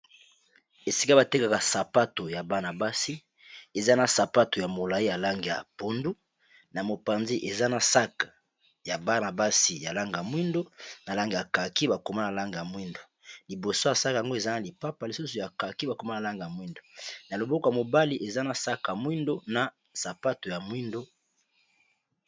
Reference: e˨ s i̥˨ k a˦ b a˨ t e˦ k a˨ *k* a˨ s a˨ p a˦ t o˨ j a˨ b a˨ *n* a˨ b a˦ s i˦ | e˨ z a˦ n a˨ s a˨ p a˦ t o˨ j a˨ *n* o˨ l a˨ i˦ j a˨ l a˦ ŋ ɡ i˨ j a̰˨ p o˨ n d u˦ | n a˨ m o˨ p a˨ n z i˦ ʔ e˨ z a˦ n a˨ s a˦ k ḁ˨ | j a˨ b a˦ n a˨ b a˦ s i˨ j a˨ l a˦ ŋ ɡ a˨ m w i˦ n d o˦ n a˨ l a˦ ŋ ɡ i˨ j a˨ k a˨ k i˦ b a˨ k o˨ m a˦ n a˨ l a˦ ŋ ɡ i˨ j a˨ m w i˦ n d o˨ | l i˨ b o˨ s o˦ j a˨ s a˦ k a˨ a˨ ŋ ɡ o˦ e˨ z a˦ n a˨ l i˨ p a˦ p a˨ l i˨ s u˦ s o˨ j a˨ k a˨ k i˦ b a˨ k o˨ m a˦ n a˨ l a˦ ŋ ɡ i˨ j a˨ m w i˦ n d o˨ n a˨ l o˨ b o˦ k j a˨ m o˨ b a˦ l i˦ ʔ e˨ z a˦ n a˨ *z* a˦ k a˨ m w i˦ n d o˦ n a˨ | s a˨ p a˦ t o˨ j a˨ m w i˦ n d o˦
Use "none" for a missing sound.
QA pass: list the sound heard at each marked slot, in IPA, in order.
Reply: k, n, m, s

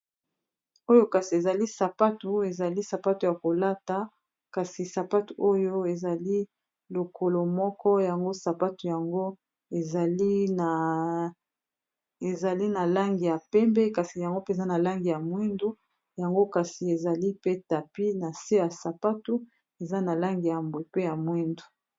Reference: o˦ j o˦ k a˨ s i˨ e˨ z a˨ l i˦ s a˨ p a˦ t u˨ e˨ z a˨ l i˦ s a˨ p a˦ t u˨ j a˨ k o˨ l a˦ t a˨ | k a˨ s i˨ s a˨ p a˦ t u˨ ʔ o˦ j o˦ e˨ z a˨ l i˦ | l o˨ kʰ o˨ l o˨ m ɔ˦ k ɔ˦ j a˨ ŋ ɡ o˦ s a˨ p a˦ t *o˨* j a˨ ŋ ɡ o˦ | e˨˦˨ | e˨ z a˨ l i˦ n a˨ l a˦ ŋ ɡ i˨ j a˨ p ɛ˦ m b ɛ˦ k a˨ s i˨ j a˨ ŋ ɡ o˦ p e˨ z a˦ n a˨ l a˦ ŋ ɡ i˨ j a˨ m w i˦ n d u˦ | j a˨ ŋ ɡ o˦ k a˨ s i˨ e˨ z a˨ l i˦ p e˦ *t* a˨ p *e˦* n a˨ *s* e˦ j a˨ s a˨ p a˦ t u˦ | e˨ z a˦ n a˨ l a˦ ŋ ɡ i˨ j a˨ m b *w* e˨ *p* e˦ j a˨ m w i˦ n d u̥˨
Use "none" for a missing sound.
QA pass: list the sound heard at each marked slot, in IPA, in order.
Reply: u˨, t, i˦, s, w, p

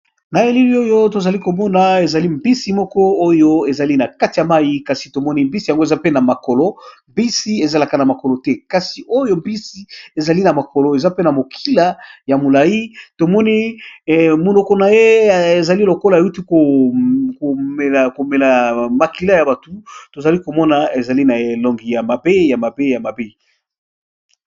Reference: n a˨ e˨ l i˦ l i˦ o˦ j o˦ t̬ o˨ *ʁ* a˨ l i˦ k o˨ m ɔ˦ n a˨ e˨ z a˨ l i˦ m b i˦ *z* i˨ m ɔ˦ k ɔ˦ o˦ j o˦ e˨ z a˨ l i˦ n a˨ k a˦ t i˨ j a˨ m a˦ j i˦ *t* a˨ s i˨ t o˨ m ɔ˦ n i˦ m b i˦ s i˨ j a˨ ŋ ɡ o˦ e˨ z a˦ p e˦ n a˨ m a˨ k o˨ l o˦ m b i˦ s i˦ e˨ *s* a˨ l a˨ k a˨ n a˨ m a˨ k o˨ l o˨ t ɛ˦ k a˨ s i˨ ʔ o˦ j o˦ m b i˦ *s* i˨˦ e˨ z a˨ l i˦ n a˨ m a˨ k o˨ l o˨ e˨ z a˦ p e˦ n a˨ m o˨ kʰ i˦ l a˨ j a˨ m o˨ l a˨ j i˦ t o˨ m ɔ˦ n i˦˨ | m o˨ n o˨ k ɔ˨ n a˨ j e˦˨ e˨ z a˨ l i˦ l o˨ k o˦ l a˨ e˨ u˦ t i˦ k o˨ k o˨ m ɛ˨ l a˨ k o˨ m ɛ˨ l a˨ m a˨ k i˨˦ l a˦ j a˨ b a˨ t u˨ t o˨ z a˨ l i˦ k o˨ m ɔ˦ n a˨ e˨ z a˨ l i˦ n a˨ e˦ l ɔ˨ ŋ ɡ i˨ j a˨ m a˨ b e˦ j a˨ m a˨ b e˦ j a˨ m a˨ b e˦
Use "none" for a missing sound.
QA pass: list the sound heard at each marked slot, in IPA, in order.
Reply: z, s, k, z, s

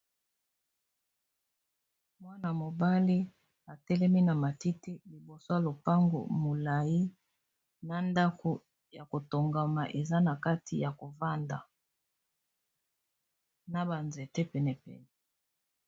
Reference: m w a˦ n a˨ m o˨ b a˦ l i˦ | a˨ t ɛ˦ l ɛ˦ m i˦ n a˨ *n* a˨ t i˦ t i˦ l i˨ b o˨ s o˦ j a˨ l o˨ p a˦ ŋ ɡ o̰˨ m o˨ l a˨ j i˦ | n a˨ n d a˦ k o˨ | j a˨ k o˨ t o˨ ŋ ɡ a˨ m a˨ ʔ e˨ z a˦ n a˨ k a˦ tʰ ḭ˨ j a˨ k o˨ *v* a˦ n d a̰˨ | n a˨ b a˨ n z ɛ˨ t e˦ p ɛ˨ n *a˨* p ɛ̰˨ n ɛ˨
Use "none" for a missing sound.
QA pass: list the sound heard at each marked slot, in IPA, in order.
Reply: m, v, ɛ˨

